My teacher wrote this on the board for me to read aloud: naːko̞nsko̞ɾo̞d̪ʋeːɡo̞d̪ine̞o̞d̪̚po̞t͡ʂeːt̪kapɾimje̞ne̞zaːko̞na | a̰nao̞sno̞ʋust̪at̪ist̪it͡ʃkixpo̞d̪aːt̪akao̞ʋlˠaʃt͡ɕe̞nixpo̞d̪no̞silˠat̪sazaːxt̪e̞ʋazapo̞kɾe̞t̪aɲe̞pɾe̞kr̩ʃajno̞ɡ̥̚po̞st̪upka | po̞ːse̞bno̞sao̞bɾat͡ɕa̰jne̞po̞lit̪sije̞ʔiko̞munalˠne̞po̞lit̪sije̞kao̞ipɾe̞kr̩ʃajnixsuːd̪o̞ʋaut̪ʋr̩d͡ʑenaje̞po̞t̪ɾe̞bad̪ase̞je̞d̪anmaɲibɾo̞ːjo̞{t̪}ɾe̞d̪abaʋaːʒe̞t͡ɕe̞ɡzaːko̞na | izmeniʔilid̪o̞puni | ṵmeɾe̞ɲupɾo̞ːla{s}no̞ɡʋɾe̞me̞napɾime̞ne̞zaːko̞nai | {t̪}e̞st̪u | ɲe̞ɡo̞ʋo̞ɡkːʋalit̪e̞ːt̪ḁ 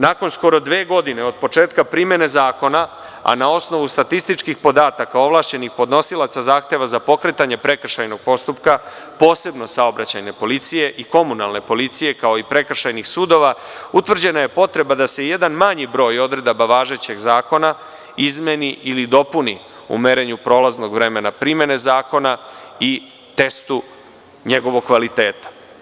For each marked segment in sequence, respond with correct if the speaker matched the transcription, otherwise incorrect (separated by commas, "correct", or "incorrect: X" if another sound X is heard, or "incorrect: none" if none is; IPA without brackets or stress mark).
incorrect: d̪, incorrect: z, correct